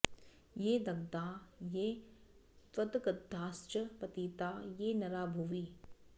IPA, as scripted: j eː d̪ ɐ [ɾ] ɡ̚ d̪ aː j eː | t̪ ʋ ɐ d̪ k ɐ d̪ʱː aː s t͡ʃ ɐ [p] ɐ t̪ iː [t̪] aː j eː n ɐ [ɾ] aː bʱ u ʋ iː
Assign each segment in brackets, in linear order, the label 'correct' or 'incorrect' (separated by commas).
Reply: incorrect, correct, correct, correct